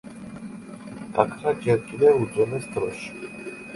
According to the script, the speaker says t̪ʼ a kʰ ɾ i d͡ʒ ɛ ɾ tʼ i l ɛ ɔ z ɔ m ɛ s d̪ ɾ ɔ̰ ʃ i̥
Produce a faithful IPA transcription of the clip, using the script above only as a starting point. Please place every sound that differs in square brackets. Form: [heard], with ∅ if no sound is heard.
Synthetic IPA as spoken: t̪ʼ a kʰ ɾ [a] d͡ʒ ɛ ɾ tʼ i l ɛ [u] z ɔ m ɛ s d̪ ɾ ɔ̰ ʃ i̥

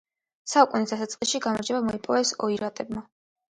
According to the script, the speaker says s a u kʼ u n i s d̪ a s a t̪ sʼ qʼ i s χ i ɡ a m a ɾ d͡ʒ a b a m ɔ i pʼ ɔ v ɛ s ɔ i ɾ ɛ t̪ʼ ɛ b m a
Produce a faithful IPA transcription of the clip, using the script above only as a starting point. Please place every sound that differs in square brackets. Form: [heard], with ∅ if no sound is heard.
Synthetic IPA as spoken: s a u kʼ u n i s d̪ a s a t̪ sʼ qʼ i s [ʃ] i ɡ a m a ɾ d͡ʒ [ɛ] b a m ɔ i pʼ ɔ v ɛ s ɔ i ɾ [a] t̪ʼ ɛ b m a

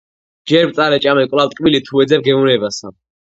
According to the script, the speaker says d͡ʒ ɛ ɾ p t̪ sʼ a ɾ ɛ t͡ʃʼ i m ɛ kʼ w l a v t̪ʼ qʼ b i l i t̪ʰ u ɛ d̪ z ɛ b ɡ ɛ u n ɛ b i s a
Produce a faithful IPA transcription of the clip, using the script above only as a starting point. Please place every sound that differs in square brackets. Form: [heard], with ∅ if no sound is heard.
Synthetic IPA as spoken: d͡ʒ ɛ ɾ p t̪ sʼ a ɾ ɛ t͡ʃʼ [a] m ɛ kʼ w l a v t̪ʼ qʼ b i l i t̪ʰ u ɛ d̪ z ɛ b ɡ ɛ u n ɛ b [a] s a

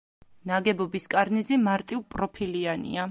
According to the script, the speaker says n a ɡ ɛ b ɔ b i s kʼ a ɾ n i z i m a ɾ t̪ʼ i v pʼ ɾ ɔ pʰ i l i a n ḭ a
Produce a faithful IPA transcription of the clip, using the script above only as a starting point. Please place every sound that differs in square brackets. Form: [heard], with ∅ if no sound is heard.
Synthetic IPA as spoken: n a ɡ ɛ b ɔ b i s kʼ a ɾ n i z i m a ɾ t̪ʼ i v pʼ ɾ ɔ pʰ i l i a n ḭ a

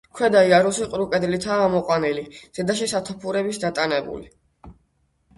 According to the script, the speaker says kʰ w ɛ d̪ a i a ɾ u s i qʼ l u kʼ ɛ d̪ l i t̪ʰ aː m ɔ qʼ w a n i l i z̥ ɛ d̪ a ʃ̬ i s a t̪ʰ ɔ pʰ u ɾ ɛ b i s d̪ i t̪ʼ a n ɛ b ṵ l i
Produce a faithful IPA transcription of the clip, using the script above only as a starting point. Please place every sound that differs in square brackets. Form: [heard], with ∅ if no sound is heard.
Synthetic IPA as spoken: kʰ w ɛ d̪ a i a ɾ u s i qʼ [ɾ] u kʼ ɛ d̪ l i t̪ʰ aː m ɔ qʼ w a n i l i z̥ ɛ d̪ a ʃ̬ i s a t̪ʰ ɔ pʰ u ɾ ɛ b i s d̪ [a] t̪ʼ a n ɛ b ṵ l i

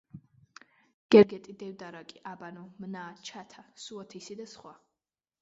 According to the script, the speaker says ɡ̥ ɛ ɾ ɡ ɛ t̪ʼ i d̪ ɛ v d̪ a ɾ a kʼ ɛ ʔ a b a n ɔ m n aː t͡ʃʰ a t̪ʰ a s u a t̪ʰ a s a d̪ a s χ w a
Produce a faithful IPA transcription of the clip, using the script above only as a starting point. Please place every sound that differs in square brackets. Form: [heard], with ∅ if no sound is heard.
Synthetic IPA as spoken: ɡ̥ ɛ ɾ ɡ ɛ t̪ʼ i d̪ ɛ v d̪ a ɾ a kʼ [i] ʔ a b a n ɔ m n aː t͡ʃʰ a t̪ʰ a s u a t̪ʰ [i] s [i] d̪ a s χ w a

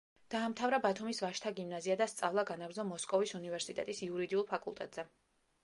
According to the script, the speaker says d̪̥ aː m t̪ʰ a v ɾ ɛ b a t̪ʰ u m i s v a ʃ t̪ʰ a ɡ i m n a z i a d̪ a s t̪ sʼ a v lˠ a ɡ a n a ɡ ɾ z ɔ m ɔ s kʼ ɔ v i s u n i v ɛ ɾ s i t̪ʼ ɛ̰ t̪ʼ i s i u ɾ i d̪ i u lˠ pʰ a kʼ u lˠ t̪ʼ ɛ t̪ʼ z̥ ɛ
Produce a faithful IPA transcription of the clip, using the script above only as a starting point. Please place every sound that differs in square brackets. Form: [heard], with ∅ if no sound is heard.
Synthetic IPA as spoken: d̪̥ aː m t̪ʰ a v ɾ [a] b a t̪ʰ u m i s v a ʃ t̪ʰ a ɡ i m n a z i a d̪ a s t̪ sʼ a v lˠ a ɡ a n a ɡ ɾ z ɔ m ɔ s kʼ ɔ v i s u n i v ɛ ɾ s i t̪ʼ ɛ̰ t̪ʼ i s i u ɾ i d̪ i u lˠ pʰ a kʼ u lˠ t̪ʼ ɛ t̪ʼ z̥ ɛ

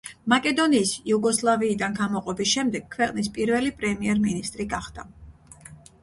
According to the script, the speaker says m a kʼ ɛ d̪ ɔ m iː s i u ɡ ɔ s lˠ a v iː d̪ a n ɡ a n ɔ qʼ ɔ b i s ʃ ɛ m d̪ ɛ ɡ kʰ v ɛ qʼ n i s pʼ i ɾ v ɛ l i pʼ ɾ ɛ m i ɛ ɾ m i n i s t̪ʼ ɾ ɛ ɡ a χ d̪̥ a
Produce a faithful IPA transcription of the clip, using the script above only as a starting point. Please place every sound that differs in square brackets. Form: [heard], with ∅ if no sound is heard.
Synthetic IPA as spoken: m a kʼ ɛ d̪ ɔ [n] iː s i u ɡ ɔ s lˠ a v iː d̪ a n ɡ a [m] ɔ qʼ ɔ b i s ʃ ɛ m d̪ ɛ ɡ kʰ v ɛ qʼ n i s pʼ i ɾ v ɛ l i pʼ ɾ ɛ m i ɛ ɾ m i n i s t̪ʼ ɾ [i] ɡ a χ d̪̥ a

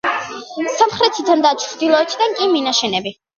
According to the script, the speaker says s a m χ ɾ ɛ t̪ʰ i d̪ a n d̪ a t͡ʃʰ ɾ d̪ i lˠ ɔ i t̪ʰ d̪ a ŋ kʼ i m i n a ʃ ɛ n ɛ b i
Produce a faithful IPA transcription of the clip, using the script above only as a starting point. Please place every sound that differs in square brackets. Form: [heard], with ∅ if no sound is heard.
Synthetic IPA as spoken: s a m χ ɾ ɛ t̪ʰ i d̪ a n d̪ a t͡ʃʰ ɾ d̪ i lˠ ɔ [ɛ] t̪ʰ d̪ a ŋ kʼ i m i n a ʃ ɛ n ɛ b i

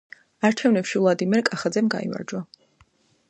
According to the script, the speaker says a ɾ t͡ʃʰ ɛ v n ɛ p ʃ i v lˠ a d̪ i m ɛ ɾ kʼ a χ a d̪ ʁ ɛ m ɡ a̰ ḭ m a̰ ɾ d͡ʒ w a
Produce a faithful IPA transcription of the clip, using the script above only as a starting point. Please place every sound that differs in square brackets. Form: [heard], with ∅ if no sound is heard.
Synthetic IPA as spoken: a ɾ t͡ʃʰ ɛ v n ɛ p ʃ i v lˠ a d̪ i m ɛ ɾ kʼ a χ a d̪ [z] ɛ m ɡ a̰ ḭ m a̰ ɾ d͡ʒ w a

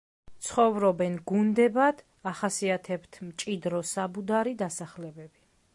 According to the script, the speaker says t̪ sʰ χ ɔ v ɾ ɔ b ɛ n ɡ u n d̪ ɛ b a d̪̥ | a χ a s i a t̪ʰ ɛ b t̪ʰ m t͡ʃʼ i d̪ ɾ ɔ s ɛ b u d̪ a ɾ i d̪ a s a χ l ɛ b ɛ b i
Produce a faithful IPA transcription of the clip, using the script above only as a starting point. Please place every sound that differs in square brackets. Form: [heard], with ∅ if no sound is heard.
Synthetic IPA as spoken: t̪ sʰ χ ɔ v ɾ ɔ b ɛ n ɡ u n d̪ ɛ b a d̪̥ | a χ a s i a t̪ʰ ɛ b t̪ʰ m t͡ʃʼ i d̪ ɾ ɔ s [a] b u d̪ a ɾ i d̪ a s a χ l ɛ b ɛ b i

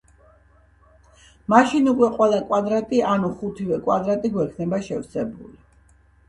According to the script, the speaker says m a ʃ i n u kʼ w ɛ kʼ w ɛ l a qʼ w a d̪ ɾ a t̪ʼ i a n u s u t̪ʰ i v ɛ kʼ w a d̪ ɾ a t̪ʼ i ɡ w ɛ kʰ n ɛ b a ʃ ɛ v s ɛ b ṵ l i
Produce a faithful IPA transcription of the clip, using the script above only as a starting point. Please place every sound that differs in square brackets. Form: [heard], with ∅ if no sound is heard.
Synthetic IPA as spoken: m a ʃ i n u kʼ w ɛ [qʼ] w ɛ l a [kʼ] w a d̪ ɾ a t̪ʼ i a n u [χ] u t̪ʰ i v ɛ kʼ w a d̪ ɾ a t̪ʼ i ɡ w ɛ kʰ n ɛ b a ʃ ɛ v s ɛ b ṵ l i

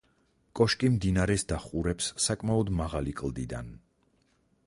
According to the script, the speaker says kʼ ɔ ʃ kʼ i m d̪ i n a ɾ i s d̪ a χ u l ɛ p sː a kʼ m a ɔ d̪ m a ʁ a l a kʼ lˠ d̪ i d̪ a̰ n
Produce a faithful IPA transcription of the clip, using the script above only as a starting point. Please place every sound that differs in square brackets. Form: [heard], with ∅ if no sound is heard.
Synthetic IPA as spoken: kʼ ɔ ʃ kʼ i m d̪ i n a ɾ [ɛ] s d̪ a χ u [ɾ] ɛ p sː a kʼ m a ɔ d̪ m a ʁ a l [i] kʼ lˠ d̪ i d̪ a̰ n

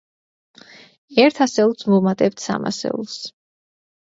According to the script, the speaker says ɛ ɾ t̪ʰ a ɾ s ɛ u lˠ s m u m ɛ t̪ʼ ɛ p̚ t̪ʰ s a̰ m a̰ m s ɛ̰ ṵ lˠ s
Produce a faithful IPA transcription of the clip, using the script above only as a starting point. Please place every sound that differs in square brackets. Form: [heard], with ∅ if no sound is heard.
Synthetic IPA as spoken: ɛ ɾ t̪ʰ a [∅] s ɛ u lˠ s m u m [a] t̪ʼ ɛ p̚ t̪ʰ s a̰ m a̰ [∅] s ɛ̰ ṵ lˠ s

